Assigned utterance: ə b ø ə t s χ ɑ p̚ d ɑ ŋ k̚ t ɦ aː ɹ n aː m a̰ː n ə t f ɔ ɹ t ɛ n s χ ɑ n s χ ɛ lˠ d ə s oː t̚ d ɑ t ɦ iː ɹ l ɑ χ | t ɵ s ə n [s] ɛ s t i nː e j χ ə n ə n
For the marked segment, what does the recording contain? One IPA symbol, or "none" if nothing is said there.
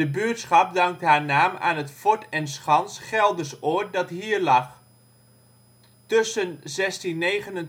z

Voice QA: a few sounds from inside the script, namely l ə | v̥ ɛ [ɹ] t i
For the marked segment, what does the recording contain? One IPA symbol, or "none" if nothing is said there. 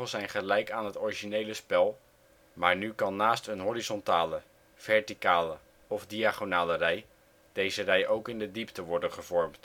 ɹ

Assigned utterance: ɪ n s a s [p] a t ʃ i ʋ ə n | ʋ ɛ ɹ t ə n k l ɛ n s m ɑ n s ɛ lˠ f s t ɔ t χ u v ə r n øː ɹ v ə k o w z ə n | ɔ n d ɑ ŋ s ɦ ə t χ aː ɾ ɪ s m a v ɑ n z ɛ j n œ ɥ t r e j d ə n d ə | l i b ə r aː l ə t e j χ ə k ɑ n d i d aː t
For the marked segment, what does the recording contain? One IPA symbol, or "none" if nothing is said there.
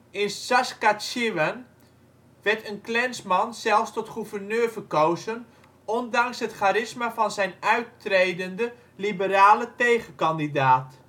k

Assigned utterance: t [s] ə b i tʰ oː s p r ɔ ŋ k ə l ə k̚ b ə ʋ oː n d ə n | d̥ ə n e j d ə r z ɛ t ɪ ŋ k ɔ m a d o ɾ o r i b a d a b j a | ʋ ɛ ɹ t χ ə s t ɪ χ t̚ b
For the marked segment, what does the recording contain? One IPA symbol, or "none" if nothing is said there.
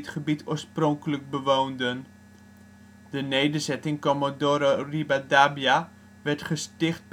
χ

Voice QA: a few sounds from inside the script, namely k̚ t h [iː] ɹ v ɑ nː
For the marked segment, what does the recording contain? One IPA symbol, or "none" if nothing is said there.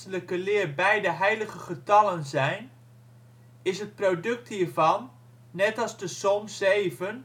iː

